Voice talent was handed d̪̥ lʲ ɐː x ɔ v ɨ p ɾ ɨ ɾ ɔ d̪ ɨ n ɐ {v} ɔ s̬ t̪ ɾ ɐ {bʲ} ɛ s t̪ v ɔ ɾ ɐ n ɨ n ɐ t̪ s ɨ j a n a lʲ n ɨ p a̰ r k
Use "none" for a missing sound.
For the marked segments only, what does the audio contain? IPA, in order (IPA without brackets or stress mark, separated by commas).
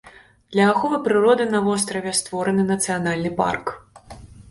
v, vʲ